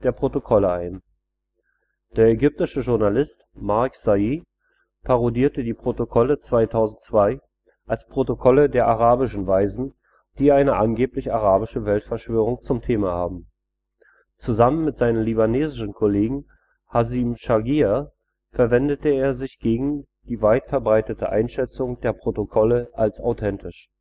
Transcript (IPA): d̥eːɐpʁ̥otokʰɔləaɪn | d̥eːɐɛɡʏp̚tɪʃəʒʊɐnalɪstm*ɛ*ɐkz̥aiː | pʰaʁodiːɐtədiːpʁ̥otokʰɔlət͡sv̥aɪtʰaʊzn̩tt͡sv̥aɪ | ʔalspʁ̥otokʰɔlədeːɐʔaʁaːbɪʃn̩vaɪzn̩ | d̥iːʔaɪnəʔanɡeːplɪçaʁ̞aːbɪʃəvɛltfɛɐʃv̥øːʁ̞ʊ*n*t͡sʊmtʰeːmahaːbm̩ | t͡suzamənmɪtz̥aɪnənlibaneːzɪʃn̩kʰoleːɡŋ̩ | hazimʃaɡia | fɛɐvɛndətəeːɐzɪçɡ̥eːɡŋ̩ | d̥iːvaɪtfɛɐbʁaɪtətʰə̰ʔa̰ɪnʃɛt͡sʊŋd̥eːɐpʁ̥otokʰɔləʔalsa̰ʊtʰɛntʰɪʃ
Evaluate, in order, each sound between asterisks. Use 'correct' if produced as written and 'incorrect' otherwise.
incorrect: a, incorrect: ŋ

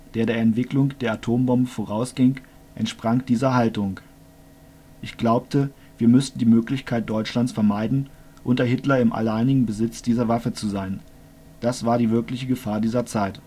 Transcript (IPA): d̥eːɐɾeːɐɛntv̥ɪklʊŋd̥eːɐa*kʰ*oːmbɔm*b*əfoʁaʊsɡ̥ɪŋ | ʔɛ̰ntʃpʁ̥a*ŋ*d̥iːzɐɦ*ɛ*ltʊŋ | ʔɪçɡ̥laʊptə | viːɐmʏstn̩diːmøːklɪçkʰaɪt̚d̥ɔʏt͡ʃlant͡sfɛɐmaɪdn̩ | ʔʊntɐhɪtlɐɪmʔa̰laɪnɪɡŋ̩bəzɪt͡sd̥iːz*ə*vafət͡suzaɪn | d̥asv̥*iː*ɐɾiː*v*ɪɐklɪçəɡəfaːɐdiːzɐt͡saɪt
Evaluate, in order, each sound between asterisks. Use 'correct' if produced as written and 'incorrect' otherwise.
incorrect: tʰ, correct, correct, incorrect: a, incorrect: ɐ, incorrect: aː, correct

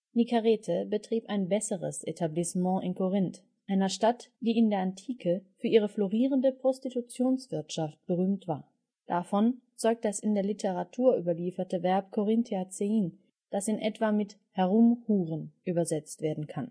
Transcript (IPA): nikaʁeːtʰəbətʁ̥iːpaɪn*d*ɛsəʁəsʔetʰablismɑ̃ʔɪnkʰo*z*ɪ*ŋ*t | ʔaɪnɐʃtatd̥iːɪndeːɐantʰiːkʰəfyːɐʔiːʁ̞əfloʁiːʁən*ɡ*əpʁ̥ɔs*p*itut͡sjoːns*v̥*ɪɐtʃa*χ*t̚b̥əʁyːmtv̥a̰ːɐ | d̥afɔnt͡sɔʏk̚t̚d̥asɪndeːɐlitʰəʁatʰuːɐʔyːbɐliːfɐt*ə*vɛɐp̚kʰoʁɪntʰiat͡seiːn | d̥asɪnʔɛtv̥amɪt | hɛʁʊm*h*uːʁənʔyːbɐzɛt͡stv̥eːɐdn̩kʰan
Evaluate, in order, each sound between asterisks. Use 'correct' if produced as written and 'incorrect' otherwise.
incorrect: b, incorrect: ʁ, incorrect: n, incorrect: d, incorrect: t, correct, incorrect: f, correct, correct

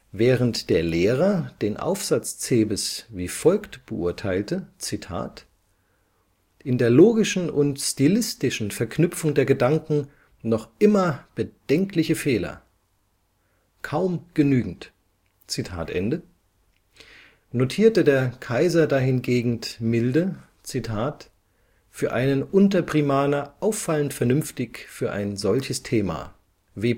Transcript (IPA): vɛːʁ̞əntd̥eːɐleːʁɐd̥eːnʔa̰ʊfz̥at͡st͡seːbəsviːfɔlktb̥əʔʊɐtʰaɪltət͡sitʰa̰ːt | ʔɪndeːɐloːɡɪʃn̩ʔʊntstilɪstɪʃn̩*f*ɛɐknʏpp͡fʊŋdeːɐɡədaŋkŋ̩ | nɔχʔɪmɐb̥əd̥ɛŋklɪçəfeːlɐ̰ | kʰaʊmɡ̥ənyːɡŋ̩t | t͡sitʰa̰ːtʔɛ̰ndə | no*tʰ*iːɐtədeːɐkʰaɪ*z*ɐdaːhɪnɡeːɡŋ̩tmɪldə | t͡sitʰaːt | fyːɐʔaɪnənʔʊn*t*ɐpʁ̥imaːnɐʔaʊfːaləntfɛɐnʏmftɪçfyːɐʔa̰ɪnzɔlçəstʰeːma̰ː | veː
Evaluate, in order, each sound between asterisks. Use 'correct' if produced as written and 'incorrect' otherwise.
correct, correct, correct, correct

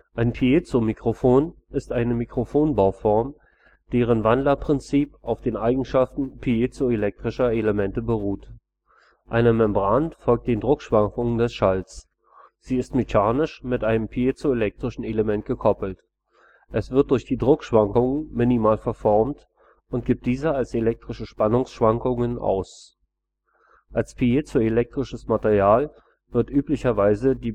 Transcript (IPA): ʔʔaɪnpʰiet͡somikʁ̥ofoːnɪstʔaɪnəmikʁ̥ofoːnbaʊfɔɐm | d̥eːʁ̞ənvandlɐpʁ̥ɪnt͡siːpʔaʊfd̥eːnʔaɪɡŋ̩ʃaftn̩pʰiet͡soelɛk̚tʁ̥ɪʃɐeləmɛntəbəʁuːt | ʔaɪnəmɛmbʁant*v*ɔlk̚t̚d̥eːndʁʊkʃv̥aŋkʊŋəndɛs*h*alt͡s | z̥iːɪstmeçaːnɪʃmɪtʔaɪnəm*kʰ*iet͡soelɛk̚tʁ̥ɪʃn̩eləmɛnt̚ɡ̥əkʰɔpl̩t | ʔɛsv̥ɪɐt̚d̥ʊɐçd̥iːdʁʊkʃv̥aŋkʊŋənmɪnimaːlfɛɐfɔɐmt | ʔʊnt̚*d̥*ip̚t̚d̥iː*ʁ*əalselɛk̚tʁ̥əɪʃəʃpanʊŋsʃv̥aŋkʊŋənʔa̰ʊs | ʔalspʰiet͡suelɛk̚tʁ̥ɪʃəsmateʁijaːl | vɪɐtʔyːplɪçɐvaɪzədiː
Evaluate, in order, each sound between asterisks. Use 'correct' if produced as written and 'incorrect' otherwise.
incorrect: f, incorrect: ʃ, incorrect: pʰ, incorrect: ɡ̥, incorrect: z

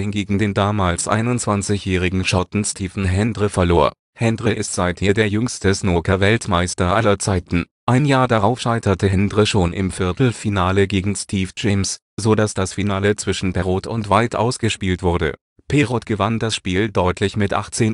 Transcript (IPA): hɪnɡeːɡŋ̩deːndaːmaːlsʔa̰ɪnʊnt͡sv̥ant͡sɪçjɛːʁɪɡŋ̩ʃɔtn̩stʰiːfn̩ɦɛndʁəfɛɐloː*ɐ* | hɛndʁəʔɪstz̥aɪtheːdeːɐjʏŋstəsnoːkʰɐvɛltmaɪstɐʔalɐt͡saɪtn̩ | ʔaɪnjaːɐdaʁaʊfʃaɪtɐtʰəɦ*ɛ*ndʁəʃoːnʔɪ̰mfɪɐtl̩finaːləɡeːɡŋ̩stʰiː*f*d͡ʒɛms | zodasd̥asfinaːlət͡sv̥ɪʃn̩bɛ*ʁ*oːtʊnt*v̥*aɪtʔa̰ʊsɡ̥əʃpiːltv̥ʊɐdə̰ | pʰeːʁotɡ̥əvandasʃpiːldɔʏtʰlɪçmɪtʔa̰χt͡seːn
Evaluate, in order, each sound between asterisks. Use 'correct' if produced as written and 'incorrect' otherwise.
correct, correct, correct, correct, correct

